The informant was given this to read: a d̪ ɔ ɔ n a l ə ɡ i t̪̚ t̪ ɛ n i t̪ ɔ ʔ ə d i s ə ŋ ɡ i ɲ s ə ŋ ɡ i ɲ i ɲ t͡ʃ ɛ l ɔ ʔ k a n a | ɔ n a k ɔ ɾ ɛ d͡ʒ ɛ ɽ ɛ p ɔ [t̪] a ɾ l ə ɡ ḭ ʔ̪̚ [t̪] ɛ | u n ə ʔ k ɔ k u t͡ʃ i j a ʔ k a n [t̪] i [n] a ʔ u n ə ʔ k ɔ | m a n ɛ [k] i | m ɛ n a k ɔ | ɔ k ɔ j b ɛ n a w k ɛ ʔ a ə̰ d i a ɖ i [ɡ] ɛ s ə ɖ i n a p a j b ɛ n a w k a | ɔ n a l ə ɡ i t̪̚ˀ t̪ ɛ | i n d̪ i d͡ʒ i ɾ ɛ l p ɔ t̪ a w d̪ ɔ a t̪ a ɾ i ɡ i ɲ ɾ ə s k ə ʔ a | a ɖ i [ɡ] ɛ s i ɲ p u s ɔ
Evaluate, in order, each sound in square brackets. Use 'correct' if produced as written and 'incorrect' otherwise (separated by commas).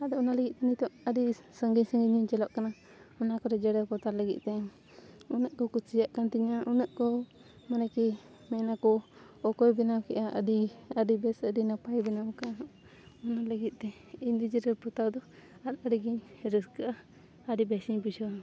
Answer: correct, correct, correct, incorrect, correct, incorrect, incorrect